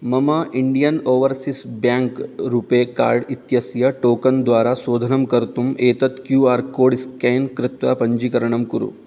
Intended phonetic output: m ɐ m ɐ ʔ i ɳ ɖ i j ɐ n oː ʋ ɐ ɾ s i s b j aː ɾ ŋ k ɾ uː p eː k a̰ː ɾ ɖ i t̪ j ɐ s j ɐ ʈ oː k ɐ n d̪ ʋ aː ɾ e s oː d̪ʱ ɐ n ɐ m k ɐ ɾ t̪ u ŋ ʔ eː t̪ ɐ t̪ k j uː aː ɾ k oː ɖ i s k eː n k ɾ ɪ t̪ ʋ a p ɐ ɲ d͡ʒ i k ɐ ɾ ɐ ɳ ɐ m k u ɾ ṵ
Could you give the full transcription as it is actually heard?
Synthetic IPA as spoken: m ɐ m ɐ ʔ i ɳ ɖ i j ɐ n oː ʋ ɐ ɾ s i s b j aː ŋ k ɾ uː p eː k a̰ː ɾ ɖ i t̪ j ɐ s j ɐ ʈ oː k ɐ n d̪ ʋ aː ɾ a s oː d̪ʱ ɐ n ɐ m k ɐ ɾ t̪ u m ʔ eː t̪ ɐ t̪ k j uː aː ɾ k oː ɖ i s k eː n k ɾ ɪ t̪ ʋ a p ɐ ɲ d͡ʒ i k ɐ ɾ ɐ ɳ ɐ m k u ɾ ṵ